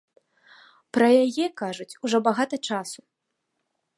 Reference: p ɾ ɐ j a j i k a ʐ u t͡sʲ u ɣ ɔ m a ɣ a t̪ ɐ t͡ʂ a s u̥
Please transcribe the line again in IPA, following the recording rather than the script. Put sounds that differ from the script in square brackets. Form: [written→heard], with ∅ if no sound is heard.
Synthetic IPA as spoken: p ɾ ɐ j a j [i→ɛ] k a ʐ u t͡sʲ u [ɣ→ʐ] ɔ [m→b] a ɣ a t̪ ɐ t͡ʂ a s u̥